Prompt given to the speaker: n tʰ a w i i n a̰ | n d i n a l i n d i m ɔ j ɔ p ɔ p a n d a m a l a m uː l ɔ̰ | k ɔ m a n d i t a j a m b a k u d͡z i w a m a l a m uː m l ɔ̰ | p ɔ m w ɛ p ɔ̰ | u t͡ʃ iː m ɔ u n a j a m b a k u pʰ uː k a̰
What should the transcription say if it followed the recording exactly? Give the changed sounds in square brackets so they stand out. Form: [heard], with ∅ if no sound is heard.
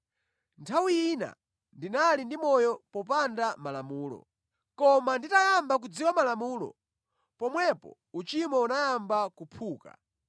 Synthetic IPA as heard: n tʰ a w i i n a̰ | n d i n a l i n d i m ɔ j ɔ p ɔ p a n d a m a l a m uː l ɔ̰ | k ɔ m a n d i t a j a m b a k u d͡z i w a m a l a m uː [∅] l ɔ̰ | p ɔ m w ɛ p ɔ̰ | u t͡ʃ [i] m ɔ u n a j a m b a k u pʰ uː k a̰

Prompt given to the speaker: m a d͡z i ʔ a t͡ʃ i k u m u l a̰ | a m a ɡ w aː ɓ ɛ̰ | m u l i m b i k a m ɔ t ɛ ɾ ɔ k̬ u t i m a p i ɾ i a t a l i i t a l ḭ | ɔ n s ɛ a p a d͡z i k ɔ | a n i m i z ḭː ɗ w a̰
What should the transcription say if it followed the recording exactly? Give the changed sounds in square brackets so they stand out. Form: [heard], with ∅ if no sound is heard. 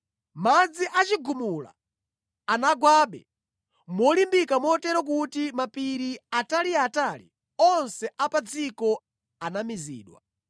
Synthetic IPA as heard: m a d͡z i ʔ a t͡ʃ i [ɡ] u m u l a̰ | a [n] a ɡ w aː ɓ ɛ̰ | m [ɔ] l i m b i k a m ɔ t ɛ ɾ ɔ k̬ u t i m a p i ɾ i a t a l i [a] t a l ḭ | ɔ n s ɛ a p a d͡z i k ɔ | a n [a] m i z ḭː ɗ w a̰

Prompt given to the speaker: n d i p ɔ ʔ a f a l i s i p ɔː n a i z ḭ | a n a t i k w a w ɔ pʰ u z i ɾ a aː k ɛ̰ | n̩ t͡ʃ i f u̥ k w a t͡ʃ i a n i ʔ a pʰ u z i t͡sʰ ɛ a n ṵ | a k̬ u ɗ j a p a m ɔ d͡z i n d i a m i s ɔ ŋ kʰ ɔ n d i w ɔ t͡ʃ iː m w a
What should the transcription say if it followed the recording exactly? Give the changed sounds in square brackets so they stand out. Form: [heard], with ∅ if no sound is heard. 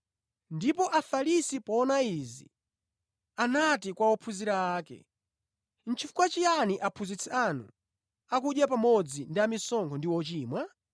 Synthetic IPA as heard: n d i p ɔ ʔ a f a l i s i p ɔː n a i z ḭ | a n a t i k w a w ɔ pʰ u z i ɾ a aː k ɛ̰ | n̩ t͡ʃ i f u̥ k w a t͡ʃ i a n i ʔ a pʰ u z i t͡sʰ ɛ a n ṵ | a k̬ u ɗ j a p a m ɔ d͡z i n d i a m i s ɔ ŋ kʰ ɔ n d i w ɔ t͡ʃ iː m w a

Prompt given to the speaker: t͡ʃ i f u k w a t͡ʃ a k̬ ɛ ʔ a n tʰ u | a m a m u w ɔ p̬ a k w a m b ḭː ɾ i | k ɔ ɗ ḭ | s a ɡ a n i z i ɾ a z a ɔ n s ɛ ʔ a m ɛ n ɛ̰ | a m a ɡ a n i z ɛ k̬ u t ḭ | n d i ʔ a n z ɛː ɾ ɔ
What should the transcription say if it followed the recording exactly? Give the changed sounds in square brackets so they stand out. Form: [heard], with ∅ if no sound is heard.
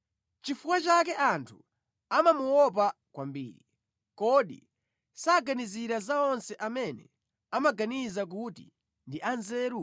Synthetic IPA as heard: t͡ʃ i f u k w a t͡ʃ a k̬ ɛ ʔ a n tʰ u | a m a m u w ɔ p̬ a k w a m b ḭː ɾ i | k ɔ ɗ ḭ | s a ɡ a n i z i ɾ a z a ɔ n s ɛ ʔ a m ɛ n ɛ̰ | a m a ɡ a n i z [a] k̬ u t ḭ | n d i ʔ a n z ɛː ɾ [u]

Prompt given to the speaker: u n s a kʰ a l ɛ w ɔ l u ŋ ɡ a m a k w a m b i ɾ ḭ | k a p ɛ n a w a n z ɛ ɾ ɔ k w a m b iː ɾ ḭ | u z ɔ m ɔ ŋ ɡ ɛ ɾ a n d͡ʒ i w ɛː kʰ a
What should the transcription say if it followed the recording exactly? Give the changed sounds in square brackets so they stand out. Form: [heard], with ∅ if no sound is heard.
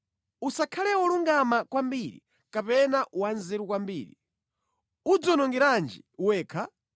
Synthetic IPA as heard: u [∅] s a kʰ a l ɛ w ɔ l u ŋ ɡ a m a k w a m b i ɾ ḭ | k a p ɛ n a w a n z ɛ ɾ [u] k w a m b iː ɾ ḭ | u [d͡z] ɔ [n] ɔ ŋ ɡ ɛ ɾ a n d͡ʒ i w ɛː kʰ a

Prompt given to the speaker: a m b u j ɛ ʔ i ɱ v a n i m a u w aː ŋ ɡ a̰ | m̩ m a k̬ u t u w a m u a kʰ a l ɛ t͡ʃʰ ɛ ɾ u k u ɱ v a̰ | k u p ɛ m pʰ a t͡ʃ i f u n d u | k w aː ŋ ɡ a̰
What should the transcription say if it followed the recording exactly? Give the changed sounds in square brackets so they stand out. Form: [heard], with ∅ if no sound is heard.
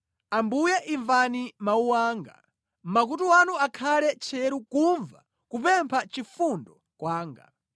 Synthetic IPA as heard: a m b u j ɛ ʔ i ɱ v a n i m a u w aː ŋ ɡ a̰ | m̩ m a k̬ u t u w a [n] u a kʰ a l ɛ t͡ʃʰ ɛ ɾ u k u ɱ v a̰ | k u p ɛ m pʰ a t͡ʃ i f u n d [ɔ] | k w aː ŋ ɡ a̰

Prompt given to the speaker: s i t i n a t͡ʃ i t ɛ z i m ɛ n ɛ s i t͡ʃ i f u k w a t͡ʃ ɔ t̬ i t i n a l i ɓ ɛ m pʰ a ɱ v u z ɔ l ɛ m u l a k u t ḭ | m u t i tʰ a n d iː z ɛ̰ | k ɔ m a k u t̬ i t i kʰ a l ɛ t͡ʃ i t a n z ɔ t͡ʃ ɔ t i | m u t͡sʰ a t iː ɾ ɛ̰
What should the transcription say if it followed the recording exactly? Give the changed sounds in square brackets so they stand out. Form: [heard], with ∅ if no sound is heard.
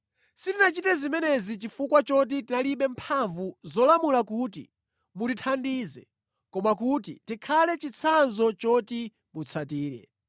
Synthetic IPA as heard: s i t i n a t͡ʃ i t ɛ z i m ɛ n ɛ [z] i t͡ʃ i f u k w a t͡ʃ ɔ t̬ i t i n a l i ɓ ɛ m pʰ a ɱ v u z ɔ l [a] m u l a k u t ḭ | m u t i tʰ a n d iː z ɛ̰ | k ɔ m a k u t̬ i t i kʰ a l ɛ t͡ʃ i [t͡sʰ] a n z ɔ t͡ʃ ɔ t i | m u t͡sʰ a t iː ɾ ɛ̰

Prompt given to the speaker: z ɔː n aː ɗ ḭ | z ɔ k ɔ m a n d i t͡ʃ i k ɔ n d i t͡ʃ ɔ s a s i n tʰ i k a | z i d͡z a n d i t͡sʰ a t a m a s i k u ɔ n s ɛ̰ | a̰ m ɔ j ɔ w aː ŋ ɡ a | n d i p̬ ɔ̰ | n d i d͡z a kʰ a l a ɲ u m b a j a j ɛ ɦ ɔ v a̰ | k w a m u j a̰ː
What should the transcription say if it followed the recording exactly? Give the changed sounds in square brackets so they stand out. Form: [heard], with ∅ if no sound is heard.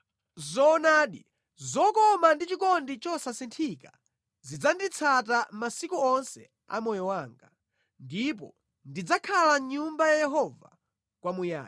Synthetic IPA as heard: z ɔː n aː ɗ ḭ | z ɔ k ɔ m a n d i t͡ʃ i k ɔ n d i t͡ʃ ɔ s a s i n tʰ i k a | z i d͡z a n d i t͡sʰ a t a m a s i k u ɔ n s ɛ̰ | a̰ m ɔ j ɔ w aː ŋ ɡ a | n d i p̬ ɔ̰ | n d i d͡z a kʰ a l a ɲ u m b a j a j ɛ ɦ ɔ v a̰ | k w a m u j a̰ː

